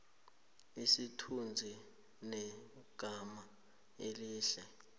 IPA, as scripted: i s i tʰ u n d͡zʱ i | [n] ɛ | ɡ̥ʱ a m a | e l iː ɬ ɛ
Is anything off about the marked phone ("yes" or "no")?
no